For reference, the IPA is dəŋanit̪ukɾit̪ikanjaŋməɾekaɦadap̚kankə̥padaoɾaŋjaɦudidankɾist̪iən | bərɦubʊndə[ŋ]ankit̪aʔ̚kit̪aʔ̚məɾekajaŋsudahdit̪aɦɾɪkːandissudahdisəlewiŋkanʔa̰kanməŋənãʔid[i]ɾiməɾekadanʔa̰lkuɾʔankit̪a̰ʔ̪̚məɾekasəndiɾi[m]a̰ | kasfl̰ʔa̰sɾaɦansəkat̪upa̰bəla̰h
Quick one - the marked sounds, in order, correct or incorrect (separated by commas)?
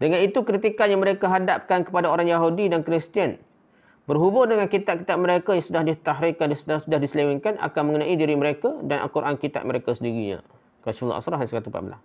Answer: correct, correct, incorrect